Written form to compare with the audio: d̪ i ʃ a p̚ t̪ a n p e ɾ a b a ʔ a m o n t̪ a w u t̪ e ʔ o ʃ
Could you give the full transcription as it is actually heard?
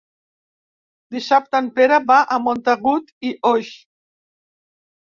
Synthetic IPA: d̪ i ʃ a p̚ t̪ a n p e ɾ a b a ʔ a m o n t̪ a ɣ u t̪ i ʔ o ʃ